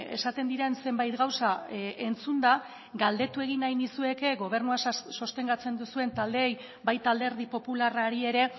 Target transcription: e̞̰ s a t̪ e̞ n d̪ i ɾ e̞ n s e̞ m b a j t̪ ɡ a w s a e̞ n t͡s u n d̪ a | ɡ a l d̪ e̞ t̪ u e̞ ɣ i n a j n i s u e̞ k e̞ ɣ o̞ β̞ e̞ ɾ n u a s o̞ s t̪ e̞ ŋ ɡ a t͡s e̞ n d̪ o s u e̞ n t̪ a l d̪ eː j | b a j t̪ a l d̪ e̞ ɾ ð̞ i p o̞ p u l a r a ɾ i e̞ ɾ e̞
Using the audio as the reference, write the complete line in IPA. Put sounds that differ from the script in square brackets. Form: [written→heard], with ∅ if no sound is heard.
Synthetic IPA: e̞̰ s a t̪ e̞ n d̪ i ɾ e̞ n s e̞ m b a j t̪ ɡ a w s a e̞ n t͡s u n d̪ a | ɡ a l d̪ e̞ t̪ u e̞ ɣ i n a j n i s u e̞ k e̞ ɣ o̞ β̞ e̞ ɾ n u a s o̞ s t̪ e̞ ŋ ɡ a t͡s e̞ n d̪ [o→u] s u e̞ n t̪ a l d̪ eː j | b a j t̪ a l d̪ e̞ ɾ ð̞ i p o̞ p u l a r a ɾ i e̞ ɾ e̞